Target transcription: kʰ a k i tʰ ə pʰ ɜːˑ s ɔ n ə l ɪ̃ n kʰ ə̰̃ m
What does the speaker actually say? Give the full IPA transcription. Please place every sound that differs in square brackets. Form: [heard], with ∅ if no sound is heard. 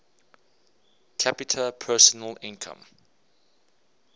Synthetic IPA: kʰ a [p] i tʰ ə pʰ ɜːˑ s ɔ n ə l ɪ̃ n kʰ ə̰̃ m